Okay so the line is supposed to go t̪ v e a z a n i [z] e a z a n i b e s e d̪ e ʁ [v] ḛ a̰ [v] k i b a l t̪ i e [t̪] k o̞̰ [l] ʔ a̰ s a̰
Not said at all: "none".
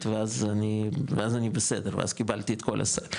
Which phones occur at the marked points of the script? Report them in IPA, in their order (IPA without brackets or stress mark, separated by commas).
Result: v, v, z, t̪, l